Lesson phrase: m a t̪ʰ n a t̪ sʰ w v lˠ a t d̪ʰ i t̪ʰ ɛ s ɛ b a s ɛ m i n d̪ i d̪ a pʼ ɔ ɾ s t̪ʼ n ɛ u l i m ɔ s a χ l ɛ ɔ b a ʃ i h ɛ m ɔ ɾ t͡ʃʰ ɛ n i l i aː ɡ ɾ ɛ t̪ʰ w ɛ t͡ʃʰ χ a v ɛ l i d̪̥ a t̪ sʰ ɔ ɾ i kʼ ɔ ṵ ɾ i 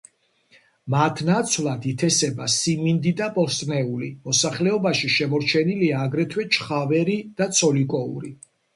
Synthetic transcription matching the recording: m a t̪ʰ n a t̪ sʰ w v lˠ a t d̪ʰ i t̪ʰ ɛ s ɛ b a s i m i n d̪ i d̪ a pʼ ɔ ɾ s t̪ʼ n ɛ u l i m ɔ s a χ l ɛ ɔ b a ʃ i ʃ ɛ m ɔ ɾ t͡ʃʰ ɛ n i l i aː ɡ ɾ ɛ t̪ʰ w ɛ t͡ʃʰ χ a v ɛ ɾ i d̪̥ a t̪ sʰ ɔ l i kʼ ɔ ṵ ɾ i